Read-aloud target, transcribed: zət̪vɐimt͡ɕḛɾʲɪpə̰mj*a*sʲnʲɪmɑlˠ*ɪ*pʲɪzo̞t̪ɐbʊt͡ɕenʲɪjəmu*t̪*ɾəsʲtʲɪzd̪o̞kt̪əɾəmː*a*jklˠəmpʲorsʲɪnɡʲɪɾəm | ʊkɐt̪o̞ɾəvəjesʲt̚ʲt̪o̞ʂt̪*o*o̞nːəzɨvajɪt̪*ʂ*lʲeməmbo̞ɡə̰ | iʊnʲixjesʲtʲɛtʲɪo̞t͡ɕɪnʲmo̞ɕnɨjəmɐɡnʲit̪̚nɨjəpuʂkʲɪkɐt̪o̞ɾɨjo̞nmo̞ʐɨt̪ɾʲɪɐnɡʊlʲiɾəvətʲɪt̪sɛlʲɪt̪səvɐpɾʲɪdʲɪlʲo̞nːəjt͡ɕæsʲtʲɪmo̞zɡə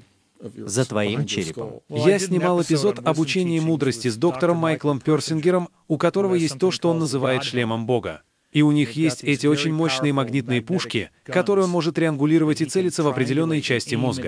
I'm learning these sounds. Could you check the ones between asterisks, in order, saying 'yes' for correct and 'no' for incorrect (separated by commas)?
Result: yes, yes, no, yes, yes, yes